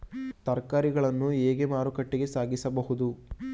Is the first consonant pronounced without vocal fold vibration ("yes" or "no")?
yes